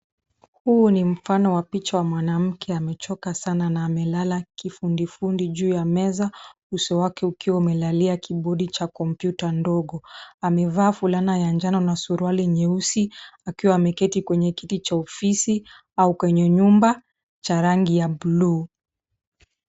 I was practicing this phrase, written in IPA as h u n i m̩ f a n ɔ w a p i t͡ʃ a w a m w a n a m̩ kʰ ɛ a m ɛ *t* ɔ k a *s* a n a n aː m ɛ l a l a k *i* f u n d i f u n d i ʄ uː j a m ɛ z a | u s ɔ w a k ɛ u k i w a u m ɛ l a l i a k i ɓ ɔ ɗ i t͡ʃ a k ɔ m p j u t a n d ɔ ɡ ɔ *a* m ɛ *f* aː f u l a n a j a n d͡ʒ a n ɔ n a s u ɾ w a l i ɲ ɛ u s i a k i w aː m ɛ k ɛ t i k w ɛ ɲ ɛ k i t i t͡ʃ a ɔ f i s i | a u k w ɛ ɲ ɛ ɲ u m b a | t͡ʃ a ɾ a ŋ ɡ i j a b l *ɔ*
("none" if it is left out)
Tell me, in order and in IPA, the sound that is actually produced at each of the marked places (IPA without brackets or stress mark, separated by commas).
t͡ʃ, s, i, a, v, u